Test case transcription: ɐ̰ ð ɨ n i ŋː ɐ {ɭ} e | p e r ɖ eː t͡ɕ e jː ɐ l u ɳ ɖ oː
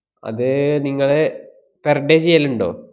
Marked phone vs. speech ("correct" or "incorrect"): correct